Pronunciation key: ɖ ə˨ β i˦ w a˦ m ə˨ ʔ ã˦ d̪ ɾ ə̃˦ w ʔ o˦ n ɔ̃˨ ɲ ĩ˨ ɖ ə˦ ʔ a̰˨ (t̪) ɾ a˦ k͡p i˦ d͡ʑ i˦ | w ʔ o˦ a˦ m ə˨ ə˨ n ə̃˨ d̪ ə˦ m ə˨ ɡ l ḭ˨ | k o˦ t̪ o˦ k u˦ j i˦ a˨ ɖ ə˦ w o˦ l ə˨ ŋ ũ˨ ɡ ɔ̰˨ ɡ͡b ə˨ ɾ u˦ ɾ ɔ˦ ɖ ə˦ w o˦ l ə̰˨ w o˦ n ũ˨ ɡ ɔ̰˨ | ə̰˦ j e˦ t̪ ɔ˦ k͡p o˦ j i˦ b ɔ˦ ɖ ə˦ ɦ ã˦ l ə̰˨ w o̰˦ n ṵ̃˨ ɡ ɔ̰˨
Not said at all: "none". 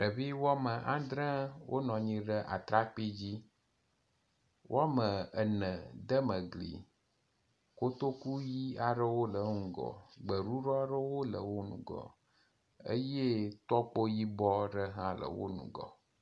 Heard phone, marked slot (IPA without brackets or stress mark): t̪